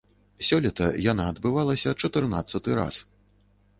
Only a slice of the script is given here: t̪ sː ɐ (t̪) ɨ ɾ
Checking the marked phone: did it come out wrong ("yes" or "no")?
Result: no